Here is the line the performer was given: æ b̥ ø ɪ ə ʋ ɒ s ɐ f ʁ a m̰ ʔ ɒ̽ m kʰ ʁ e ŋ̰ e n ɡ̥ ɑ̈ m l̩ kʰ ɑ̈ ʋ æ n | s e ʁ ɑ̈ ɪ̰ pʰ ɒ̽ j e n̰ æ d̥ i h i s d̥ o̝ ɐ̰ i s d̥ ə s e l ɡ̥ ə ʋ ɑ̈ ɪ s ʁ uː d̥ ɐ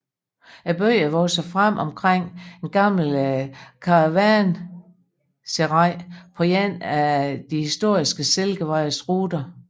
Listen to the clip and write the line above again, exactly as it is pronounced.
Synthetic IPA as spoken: æ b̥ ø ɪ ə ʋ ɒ s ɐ f ʁ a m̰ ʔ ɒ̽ m kʰ ʁ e ŋ̰ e n ɡ̥ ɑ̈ m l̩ kʰ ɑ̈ ʋ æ n | s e ʁ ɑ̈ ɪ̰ pʰ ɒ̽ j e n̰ æ d̥ i h i s d̥ o̝ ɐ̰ i s ɡ̥ ə s e l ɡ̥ ə ʋ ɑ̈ ɪ s ʁ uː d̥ ɐ